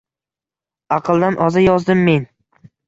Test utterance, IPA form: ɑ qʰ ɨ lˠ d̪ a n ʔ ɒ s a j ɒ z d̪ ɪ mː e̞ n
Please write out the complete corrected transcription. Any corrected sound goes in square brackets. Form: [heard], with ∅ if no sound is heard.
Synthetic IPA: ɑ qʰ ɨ lˠ d̪ a n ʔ ɒ [z] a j ɒ z d̪ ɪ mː e̞ n